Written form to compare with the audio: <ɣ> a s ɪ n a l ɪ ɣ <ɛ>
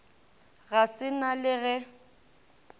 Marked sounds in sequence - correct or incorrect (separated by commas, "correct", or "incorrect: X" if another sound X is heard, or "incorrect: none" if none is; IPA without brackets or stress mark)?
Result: correct, correct